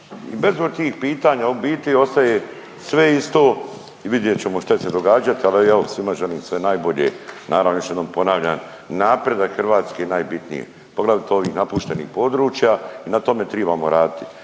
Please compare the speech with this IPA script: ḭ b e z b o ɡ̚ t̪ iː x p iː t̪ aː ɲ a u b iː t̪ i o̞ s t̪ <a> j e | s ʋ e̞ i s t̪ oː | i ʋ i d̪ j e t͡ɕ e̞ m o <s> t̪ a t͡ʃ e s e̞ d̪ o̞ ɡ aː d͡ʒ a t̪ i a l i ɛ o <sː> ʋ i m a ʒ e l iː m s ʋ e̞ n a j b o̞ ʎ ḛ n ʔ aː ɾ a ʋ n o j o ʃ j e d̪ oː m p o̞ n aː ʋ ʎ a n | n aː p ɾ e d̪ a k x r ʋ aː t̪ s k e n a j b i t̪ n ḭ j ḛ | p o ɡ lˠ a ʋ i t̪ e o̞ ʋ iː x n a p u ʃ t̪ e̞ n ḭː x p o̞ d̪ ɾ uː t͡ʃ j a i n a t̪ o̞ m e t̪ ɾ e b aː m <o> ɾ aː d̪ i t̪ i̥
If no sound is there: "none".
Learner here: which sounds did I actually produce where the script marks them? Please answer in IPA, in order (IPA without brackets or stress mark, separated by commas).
a, ʃ, s, o